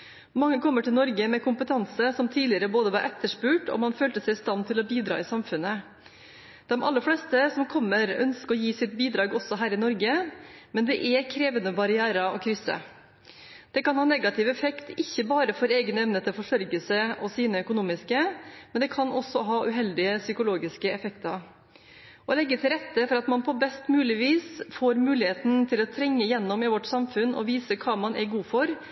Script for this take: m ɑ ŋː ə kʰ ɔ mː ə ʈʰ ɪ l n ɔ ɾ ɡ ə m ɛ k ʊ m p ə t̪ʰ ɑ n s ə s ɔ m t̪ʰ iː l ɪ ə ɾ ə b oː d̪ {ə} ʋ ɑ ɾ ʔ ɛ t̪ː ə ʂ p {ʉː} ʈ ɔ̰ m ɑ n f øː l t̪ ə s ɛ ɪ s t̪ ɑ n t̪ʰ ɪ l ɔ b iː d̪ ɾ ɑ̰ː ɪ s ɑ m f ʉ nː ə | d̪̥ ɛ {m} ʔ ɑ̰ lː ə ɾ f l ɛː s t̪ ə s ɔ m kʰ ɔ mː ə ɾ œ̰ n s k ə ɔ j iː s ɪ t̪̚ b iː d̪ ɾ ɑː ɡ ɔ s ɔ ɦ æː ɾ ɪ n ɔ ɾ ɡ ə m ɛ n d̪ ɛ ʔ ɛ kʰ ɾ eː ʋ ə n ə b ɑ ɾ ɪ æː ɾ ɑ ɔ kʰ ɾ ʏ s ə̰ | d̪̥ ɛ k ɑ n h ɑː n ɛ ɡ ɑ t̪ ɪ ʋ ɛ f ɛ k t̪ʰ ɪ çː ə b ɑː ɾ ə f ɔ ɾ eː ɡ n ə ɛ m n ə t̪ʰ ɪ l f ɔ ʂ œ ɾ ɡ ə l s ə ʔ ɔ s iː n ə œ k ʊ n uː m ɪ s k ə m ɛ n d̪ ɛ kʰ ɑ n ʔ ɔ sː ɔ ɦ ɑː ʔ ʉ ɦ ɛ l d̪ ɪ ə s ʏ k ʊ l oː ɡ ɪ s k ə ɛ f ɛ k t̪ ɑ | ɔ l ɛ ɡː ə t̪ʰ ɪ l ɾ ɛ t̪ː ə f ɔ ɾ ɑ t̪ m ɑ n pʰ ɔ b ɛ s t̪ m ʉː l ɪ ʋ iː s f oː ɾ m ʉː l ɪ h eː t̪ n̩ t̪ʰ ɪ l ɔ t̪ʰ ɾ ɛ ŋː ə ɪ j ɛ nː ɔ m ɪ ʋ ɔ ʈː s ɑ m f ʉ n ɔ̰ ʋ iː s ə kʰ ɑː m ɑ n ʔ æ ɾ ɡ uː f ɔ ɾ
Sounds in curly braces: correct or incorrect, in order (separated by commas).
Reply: correct, correct, correct